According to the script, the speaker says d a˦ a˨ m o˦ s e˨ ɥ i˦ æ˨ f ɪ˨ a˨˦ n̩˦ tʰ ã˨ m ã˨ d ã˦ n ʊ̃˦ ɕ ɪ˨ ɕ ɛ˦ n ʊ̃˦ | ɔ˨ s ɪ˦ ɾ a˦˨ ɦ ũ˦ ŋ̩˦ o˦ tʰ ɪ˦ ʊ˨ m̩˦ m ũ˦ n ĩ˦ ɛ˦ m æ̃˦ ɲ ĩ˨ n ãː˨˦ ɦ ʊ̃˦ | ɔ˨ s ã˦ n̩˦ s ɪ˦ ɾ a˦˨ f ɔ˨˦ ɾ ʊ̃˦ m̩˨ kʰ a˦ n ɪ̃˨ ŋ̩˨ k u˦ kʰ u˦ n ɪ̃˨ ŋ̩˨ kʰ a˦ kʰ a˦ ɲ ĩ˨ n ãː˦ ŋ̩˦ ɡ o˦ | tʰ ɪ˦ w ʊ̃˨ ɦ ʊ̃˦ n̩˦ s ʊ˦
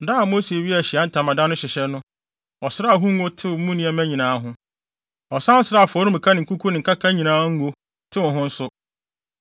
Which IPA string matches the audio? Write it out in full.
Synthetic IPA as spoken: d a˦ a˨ m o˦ s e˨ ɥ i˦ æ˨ ɕ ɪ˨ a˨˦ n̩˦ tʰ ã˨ m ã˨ d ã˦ n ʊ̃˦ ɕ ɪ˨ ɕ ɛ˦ n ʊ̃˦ | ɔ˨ s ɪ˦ ɾ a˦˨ ɦ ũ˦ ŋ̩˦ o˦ tʰ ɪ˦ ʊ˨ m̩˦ m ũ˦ n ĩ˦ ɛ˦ m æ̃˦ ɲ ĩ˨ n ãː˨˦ ɦ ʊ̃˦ | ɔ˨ s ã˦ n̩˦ s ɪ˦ ɾ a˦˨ f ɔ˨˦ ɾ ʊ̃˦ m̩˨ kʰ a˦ n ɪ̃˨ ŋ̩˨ k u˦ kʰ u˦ n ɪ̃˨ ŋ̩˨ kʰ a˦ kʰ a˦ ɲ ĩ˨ n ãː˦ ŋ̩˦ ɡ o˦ | tʰ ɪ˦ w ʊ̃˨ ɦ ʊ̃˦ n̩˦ s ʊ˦